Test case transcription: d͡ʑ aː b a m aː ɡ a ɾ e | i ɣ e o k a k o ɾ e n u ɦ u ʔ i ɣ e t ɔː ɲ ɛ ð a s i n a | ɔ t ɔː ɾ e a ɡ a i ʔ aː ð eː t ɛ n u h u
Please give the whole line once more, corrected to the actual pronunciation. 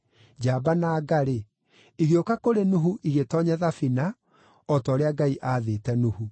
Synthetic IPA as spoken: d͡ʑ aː b a n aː ɡ a ɾ e | i ɣ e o k a k o ɾ e n u ɦ u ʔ i ɣ e t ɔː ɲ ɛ ð a f i n a | ɔ t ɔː ɾ e a ɡ a i ʔ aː ð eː t ɛ n u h u

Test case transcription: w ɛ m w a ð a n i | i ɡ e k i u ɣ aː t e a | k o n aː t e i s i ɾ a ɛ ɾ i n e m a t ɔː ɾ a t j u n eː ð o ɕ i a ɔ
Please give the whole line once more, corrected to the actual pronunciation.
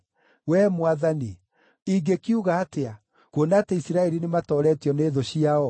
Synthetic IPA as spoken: w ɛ m w a ð a n i | i ɡ e k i u ɣ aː t e a | k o n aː t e i s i ɾ a ɛ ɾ i n e m a t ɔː ɾ ɛ t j ɔ n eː ð o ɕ i a ɔ

